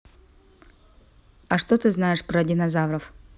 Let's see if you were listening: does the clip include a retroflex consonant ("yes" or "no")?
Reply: yes